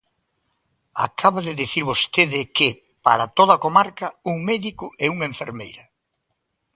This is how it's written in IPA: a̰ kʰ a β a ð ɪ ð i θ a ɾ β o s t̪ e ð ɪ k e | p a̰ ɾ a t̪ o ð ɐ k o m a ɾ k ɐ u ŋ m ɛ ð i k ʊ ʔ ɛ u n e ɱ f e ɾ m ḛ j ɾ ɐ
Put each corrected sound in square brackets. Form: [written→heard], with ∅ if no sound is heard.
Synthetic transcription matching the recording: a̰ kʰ a β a ð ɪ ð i θ [a→i] ɾ β o s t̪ e ð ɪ k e | p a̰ ɾ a t̪ o ð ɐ k o m a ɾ k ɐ u ŋ m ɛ ð i k ʊ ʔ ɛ u [n→ŋ] e ɱ f e ɾ m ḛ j ɾ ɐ